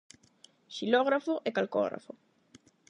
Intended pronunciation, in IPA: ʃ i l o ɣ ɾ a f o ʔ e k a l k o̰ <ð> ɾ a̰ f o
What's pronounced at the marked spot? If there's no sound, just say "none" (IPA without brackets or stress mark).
ɣ